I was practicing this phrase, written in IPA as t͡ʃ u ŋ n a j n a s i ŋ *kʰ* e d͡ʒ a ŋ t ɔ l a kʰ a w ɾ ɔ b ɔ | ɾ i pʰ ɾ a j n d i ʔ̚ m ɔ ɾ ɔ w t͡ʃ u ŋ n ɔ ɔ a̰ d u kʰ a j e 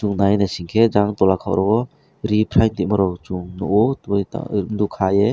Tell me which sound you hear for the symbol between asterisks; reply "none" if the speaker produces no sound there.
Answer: kʰ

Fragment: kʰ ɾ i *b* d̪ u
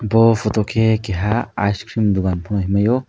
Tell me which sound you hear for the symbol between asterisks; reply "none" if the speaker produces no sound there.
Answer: m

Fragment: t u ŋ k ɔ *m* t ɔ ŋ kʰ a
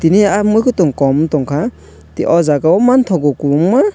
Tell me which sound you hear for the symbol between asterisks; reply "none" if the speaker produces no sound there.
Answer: m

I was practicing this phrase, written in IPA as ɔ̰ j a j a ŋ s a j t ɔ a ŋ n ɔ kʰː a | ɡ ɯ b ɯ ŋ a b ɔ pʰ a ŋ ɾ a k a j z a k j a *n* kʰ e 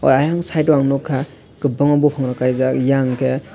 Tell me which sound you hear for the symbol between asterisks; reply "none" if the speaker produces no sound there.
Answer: ŋ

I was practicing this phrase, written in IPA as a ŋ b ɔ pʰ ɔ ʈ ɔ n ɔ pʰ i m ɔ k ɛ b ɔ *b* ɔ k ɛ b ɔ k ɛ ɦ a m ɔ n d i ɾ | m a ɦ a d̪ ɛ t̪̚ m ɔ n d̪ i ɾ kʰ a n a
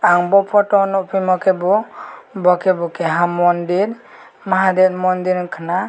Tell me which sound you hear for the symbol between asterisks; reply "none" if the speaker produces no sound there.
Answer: b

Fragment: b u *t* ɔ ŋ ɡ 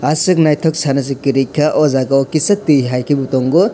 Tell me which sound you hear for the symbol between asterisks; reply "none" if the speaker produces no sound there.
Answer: t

